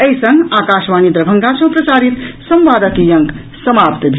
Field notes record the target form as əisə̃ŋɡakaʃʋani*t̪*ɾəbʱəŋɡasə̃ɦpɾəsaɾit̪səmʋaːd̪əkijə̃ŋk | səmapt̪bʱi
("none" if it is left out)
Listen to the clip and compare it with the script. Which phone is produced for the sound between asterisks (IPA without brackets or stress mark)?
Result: d̪